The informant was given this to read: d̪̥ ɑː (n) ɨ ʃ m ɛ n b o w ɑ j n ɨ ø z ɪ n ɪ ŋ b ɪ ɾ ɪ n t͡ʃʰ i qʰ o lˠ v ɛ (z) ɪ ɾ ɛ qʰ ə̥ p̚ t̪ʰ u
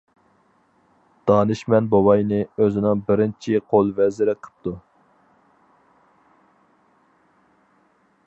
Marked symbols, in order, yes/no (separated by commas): yes, yes